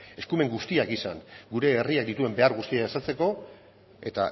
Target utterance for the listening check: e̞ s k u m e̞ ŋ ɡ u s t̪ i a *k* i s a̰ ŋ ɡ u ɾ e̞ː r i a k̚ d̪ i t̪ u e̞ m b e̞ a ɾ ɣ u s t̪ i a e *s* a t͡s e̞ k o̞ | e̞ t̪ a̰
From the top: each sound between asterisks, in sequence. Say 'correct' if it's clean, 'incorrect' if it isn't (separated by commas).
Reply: correct, correct